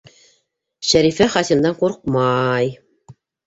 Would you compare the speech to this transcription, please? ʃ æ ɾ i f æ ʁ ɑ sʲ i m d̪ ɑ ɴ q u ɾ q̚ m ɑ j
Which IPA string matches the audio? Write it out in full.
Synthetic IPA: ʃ æ ɾ i f æ χ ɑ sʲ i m d̪ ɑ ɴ q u ɾ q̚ m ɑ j